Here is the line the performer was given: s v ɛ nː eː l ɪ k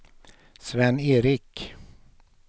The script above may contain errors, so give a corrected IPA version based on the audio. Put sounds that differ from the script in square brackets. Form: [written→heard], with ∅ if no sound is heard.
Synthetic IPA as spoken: s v ɛ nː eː [l→ɾ] ɪ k